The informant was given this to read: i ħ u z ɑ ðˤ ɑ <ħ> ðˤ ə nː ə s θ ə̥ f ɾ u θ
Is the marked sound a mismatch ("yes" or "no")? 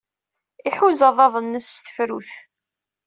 yes